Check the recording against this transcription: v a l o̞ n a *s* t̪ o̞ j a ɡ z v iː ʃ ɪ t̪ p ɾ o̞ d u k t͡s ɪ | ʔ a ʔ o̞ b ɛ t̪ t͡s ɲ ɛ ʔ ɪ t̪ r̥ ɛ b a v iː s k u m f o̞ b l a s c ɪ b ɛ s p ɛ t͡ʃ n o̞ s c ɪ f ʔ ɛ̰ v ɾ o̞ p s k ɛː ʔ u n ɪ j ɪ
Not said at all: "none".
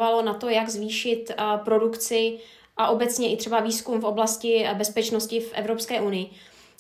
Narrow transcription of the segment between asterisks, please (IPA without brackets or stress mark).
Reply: none